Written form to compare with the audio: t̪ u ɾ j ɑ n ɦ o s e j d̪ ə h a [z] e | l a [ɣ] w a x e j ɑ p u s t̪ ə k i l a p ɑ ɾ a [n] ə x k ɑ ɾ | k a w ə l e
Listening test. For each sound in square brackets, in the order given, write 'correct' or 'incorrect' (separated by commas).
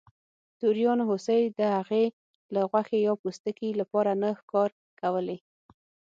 incorrect, correct, correct